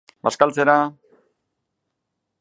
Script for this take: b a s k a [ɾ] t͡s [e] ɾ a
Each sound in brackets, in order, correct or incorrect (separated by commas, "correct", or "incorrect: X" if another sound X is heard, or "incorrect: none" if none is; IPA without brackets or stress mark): incorrect: l, correct